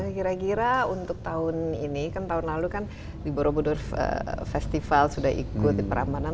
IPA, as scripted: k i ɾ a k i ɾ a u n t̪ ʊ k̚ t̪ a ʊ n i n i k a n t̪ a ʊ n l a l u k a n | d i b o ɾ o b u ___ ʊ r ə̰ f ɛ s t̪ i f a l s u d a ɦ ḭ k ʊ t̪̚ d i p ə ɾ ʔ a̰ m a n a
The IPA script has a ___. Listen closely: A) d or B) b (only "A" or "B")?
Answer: A